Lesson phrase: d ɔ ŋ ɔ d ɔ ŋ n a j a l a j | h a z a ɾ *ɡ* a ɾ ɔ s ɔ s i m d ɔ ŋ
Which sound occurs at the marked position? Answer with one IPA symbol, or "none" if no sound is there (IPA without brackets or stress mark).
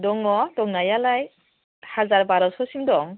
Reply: b